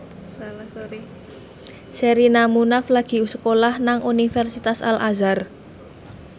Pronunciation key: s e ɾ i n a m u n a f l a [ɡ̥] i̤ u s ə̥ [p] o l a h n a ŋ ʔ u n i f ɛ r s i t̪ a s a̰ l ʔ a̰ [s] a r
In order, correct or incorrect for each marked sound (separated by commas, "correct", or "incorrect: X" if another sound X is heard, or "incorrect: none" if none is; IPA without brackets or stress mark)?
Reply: correct, incorrect: k, incorrect: z